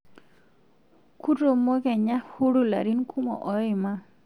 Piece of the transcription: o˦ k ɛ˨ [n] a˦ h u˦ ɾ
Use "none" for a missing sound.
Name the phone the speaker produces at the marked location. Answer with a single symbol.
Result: ɲ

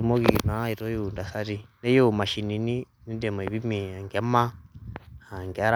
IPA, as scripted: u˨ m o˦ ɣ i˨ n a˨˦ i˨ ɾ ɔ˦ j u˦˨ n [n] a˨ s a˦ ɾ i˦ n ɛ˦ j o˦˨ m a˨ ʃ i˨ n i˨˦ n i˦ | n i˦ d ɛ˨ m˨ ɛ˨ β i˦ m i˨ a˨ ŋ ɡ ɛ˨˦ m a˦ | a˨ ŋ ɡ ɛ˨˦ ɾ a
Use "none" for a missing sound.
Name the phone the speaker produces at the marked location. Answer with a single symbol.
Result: d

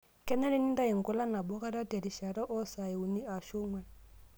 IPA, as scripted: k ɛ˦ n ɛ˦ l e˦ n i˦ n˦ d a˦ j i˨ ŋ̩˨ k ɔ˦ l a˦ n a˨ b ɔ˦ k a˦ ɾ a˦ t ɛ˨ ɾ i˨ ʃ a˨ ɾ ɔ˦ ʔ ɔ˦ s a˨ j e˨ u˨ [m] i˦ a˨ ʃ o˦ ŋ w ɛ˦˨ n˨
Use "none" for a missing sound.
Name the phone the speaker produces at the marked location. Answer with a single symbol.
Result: n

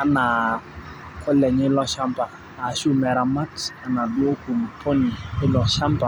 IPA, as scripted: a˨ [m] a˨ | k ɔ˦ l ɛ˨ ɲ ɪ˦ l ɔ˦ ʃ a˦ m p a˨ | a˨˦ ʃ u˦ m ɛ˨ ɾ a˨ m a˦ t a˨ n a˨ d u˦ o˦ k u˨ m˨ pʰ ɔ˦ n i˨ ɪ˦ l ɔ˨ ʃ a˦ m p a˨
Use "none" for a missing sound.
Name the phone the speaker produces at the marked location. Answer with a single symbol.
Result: n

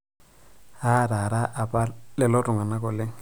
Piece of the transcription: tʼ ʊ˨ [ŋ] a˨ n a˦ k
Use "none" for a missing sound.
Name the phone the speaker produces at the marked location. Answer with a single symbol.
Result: ŋ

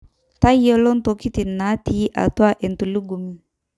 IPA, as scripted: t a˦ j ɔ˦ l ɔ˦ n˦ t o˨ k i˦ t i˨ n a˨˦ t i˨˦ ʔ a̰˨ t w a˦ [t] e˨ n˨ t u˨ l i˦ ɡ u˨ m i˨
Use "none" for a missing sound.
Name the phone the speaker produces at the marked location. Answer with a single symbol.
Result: ʔ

